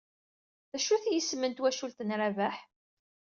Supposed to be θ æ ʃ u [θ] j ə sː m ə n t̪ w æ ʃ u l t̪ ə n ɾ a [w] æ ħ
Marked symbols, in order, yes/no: yes, no

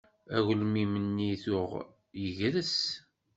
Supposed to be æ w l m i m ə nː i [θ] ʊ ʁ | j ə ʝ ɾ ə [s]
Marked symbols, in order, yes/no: yes, yes

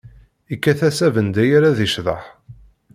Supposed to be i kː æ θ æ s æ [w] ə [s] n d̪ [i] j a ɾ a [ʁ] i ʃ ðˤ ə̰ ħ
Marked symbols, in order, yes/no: no, no, no, no

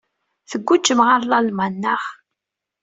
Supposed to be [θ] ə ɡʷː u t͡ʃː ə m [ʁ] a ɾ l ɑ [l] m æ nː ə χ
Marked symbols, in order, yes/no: yes, yes, yes

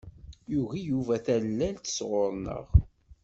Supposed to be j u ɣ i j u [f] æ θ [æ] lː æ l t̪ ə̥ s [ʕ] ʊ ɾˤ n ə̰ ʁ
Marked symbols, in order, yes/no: no, yes, no

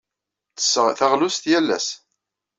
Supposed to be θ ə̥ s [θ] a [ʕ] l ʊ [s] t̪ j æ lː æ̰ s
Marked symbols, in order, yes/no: yes, no, yes

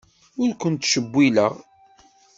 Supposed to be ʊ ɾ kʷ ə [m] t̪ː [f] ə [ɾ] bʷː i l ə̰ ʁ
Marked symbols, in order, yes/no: no, no, no

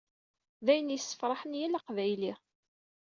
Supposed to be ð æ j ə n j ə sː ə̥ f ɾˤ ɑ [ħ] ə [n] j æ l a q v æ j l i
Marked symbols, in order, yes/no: yes, yes

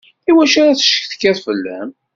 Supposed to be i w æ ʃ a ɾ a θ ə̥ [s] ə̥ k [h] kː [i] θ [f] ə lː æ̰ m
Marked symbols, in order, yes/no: no, no, no, yes

